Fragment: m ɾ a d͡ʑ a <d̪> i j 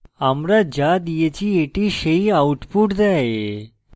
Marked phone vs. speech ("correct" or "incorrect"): correct